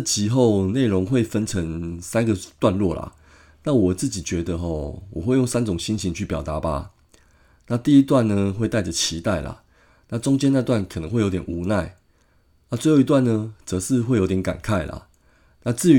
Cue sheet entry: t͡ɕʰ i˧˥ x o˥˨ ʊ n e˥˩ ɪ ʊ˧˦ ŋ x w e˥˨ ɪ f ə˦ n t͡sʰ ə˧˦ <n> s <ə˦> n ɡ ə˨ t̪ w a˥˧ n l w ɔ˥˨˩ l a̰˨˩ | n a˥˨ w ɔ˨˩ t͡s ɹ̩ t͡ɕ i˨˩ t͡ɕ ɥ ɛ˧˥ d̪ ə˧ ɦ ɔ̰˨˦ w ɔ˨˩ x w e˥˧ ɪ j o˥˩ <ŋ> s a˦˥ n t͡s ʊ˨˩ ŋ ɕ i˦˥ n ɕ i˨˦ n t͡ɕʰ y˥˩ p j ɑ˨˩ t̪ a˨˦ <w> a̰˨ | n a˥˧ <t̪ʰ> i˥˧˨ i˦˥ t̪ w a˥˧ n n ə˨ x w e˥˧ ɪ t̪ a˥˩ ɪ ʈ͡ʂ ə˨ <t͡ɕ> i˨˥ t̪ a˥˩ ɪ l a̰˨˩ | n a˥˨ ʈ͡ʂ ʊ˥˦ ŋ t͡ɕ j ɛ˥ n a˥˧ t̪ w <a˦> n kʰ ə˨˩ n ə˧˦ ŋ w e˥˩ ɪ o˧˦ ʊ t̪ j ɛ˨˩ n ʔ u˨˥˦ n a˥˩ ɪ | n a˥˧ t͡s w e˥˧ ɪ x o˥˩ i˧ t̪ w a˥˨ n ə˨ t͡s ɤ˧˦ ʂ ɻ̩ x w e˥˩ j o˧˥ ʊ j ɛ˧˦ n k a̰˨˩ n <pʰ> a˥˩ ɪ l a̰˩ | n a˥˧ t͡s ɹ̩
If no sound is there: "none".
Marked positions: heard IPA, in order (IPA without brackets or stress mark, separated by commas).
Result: ŋ, a˦, ŋ, b, t̪, t͡ɕʰ, a˥˩, kʰ